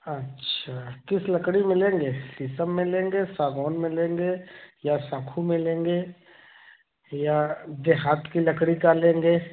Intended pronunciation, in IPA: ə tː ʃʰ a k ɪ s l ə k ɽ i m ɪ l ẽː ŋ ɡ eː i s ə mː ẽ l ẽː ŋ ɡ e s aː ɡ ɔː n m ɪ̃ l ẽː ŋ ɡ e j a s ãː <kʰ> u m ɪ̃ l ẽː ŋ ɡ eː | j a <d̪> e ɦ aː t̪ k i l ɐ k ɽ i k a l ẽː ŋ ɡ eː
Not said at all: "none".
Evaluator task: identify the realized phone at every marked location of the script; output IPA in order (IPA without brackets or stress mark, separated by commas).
kʰ, d̪